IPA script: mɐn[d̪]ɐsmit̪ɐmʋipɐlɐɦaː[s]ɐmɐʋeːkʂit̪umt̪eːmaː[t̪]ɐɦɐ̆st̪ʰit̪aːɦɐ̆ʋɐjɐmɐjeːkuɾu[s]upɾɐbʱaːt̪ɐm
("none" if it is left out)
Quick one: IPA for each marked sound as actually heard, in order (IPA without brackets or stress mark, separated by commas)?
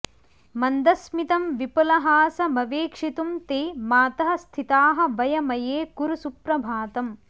d̪, s, t̪, s